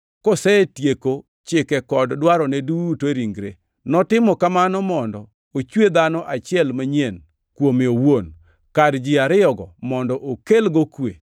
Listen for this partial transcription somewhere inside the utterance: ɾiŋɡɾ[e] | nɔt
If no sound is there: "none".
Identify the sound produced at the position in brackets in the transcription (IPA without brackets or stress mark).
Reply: e